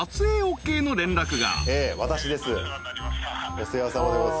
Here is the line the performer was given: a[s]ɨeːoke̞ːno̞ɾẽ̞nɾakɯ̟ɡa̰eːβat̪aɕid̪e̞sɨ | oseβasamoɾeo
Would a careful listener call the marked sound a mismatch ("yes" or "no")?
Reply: yes